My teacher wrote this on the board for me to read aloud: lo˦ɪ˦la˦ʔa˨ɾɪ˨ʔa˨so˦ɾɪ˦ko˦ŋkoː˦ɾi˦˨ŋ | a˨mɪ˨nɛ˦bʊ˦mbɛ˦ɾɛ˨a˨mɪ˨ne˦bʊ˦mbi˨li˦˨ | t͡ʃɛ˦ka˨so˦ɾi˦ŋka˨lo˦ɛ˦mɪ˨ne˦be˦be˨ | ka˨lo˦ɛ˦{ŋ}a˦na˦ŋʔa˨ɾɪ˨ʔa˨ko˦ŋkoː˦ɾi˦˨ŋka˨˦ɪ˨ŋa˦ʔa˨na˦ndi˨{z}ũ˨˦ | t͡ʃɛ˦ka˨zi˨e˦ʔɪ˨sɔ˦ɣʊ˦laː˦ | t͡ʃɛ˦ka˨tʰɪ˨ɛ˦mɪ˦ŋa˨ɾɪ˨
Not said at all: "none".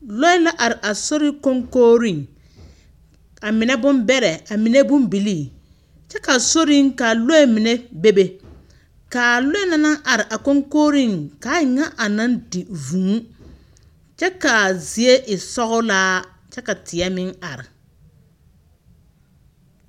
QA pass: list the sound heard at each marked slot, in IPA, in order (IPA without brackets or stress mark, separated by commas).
n, v